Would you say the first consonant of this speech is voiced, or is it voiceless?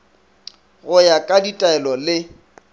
voiced